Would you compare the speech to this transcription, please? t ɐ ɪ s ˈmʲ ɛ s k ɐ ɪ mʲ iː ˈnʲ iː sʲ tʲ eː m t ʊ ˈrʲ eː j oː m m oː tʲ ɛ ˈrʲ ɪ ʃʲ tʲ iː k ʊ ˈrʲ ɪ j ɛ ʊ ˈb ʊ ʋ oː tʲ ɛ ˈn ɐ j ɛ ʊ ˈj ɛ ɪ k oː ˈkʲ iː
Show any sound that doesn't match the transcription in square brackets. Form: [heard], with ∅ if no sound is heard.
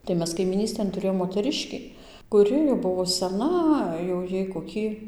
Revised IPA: t ɐ ɪ [∅] ˈmʲ ɛ s k ɐ ɪ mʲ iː ˈnʲ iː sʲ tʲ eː [n] t ʊ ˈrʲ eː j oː m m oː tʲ ɛ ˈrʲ ɪ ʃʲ [kʲ] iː k ʊ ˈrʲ ɪ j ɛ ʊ ˈb ʊ ʋ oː [sʲ] ɛ ˈn ɐ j ɛ ʊ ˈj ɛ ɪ k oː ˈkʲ iː